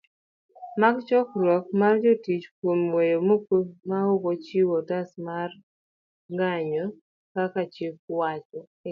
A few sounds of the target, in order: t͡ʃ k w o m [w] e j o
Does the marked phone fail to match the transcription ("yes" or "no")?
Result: no